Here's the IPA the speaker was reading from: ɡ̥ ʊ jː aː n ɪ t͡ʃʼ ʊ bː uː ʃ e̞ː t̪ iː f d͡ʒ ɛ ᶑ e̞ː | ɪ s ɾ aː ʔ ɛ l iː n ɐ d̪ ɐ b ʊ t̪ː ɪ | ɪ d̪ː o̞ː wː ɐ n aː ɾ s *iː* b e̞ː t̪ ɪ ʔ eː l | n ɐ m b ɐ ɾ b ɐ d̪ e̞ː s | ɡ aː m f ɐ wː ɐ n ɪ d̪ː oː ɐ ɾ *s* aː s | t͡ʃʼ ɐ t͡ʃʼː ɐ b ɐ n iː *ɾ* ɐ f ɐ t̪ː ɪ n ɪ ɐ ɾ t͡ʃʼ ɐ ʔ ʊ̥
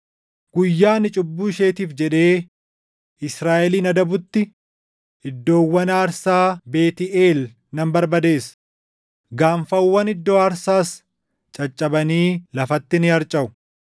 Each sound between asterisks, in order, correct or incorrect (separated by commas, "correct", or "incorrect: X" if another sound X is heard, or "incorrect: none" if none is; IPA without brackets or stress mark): incorrect: aː, correct, incorrect: l